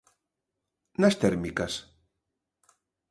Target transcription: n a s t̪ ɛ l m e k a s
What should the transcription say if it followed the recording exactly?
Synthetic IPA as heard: n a s t̪ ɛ ɾ m i k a s